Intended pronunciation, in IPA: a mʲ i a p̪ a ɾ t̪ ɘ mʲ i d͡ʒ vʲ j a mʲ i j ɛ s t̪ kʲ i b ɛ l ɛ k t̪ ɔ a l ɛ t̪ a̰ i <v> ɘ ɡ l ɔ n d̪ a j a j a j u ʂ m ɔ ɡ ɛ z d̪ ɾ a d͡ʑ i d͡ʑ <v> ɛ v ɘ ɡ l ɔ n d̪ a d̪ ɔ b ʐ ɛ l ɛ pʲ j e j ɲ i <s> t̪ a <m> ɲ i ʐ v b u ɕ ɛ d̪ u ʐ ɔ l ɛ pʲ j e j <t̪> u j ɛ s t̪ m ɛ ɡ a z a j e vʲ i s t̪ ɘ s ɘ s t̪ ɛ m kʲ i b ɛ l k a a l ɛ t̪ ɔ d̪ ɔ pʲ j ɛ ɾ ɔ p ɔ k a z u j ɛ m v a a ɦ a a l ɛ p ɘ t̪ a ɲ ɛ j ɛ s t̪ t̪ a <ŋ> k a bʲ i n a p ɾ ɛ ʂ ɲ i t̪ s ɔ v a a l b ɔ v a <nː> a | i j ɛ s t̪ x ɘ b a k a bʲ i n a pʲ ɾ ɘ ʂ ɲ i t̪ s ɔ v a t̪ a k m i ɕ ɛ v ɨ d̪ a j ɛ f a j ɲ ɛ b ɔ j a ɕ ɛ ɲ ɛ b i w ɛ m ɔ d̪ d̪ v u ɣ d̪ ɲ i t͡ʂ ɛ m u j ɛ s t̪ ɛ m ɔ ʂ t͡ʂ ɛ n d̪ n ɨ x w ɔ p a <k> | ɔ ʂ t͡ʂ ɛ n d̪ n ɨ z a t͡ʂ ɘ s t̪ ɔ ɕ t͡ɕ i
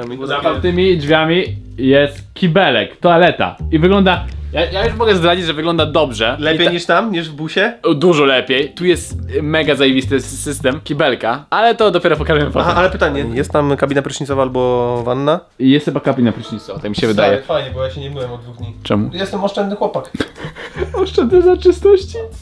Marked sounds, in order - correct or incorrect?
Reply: correct, incorrect: ʐ, incorrect: ʂ, correct, correct, incorrect: m, correct, correct

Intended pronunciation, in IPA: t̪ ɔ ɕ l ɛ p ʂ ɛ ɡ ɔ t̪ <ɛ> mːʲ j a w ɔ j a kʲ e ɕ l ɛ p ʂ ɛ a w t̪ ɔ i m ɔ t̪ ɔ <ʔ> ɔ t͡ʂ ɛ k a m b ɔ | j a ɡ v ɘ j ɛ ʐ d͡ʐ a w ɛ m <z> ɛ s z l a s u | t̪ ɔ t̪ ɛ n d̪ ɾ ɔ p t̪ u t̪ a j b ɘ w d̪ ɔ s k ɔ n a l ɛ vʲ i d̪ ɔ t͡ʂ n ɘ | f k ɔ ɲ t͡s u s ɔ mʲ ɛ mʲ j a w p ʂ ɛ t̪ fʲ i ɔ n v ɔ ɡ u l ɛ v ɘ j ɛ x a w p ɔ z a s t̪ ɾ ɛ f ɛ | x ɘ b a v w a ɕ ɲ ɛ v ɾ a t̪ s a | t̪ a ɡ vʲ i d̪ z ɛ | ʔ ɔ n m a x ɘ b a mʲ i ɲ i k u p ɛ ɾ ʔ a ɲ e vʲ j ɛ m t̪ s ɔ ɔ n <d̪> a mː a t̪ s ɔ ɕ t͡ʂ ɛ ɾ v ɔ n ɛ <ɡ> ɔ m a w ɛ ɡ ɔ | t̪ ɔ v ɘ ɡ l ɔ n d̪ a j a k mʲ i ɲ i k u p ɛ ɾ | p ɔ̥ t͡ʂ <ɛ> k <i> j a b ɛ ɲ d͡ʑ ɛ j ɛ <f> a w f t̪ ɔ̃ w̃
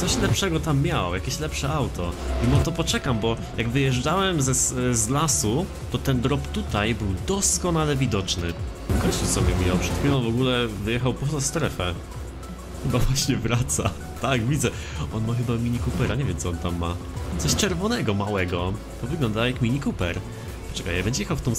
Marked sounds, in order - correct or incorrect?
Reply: incorrect: a, incorrect: p, correct, incorrect: t̪, correct, correct, incorrect: a, incorrect: x

